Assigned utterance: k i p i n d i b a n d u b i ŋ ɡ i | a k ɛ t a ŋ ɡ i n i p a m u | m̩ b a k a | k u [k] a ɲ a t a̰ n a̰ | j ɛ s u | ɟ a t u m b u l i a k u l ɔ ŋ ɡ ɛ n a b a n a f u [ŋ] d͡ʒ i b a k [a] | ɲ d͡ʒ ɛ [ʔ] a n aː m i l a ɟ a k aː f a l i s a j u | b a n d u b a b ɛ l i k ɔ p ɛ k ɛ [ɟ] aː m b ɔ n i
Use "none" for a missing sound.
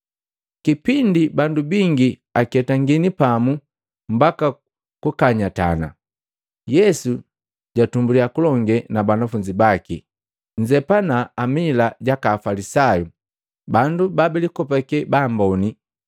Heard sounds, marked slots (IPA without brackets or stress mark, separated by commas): k, ɲ, i, p, b